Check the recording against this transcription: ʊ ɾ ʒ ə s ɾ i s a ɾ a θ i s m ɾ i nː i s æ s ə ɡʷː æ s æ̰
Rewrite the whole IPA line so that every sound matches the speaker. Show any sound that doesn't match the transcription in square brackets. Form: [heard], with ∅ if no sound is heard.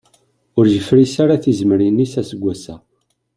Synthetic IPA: ʊ ɾ ʒ ə [f] ɾ i s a ɾ a θ i [z] m ɾ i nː i s æ s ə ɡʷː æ s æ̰